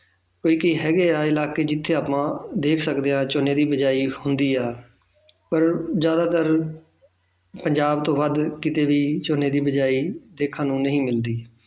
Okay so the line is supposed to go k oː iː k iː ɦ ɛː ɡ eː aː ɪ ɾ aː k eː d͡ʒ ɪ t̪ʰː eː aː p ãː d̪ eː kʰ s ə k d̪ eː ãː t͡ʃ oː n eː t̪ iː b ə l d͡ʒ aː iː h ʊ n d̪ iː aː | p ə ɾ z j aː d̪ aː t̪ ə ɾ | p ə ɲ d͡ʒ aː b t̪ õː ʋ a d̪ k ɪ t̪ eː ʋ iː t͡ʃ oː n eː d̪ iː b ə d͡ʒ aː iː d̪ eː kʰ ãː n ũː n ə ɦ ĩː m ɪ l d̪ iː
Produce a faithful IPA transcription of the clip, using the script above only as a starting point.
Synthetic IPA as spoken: k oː iː k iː ɦ ɛː ɡ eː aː ɪ l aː k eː d͡ʒ ɪ t̪ʰː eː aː p ãː d̪ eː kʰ s ə k d̪ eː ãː t͡ʃ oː n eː d̪ iː b ə d͡ʒ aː iː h ʊ n d̪ iː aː | p ə ɾ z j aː d̪ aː t̪ ə ɾ | p ə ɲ d͡ʒ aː b t̪ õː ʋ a d̪ k ɪ t̪ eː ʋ iː t͡ʃ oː n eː d̪ iː b ə d͡ʒ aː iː d̪ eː kʰ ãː n ũː n ə ɦ ĩː m ɪ l d̪ iː